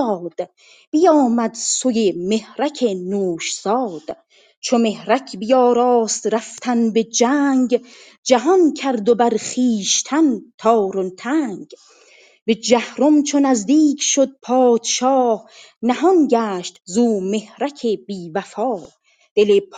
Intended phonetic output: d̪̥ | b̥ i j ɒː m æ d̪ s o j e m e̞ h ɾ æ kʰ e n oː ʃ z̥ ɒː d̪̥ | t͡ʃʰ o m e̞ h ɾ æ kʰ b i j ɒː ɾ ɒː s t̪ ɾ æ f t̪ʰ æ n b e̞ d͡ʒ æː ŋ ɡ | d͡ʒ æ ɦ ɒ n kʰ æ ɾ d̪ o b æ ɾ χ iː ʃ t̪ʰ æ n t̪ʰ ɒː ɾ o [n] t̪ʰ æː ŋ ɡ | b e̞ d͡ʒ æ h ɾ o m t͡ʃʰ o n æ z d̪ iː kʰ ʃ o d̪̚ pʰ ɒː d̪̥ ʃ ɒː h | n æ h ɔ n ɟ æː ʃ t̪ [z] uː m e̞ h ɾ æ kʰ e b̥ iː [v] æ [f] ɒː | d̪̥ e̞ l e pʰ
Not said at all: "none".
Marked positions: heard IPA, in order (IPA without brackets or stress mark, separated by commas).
n, z, v, f